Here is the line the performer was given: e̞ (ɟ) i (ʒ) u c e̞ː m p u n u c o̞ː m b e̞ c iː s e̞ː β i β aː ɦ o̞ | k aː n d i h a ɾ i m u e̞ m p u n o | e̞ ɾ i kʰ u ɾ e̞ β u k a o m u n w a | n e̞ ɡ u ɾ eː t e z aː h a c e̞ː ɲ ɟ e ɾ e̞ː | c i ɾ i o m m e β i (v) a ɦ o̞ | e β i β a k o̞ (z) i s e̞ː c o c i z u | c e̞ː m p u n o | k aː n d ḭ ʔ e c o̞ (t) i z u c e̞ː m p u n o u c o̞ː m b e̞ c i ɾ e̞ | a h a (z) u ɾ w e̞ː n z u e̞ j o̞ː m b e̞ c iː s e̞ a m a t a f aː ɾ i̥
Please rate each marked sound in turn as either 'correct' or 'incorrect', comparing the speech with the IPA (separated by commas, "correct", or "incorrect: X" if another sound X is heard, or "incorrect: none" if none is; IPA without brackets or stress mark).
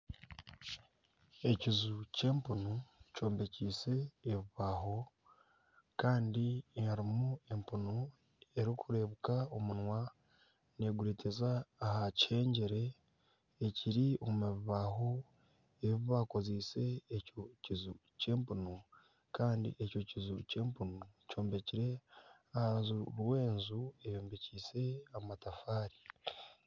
incorrect: c, incorrect: z, incorrect: β, correct, incorrect: c, correct